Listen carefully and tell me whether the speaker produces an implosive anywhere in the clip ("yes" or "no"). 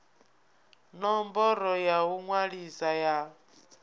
no